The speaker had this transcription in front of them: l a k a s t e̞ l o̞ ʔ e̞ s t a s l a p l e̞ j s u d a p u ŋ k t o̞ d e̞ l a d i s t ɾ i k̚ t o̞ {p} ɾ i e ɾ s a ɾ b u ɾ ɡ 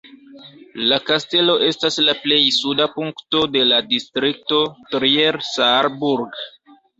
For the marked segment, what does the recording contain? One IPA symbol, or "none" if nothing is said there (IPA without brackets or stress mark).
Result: t